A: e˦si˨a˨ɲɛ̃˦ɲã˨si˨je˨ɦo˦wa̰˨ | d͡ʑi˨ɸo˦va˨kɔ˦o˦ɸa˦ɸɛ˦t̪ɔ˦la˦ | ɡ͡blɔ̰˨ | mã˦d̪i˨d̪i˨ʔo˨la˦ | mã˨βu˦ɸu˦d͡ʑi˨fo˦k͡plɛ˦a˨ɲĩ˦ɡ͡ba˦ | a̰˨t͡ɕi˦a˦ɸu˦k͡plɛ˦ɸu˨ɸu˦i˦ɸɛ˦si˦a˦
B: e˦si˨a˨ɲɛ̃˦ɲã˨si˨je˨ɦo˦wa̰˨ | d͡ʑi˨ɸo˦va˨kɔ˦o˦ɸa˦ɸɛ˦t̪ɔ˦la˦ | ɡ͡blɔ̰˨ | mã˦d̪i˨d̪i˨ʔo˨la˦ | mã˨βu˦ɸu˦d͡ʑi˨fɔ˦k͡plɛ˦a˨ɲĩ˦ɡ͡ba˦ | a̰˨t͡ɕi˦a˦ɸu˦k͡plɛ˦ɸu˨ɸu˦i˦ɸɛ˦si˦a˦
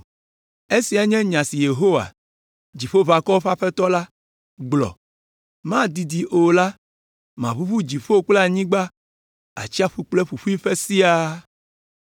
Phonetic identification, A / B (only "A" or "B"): A